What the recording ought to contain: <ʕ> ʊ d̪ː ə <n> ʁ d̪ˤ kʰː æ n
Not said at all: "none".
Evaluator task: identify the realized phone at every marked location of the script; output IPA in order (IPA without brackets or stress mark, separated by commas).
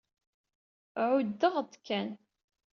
ʕ, none